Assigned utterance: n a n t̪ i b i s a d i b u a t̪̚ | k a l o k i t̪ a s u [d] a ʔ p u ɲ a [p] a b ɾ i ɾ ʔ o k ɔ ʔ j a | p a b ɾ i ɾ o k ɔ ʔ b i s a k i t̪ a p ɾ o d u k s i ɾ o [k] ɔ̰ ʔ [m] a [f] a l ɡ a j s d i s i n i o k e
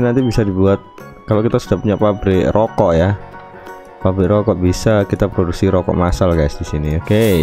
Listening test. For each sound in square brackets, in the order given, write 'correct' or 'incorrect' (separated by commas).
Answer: correct, correct, correct, correct, incorrect